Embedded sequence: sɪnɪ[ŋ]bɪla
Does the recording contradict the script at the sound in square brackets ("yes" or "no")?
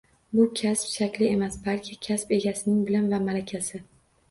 no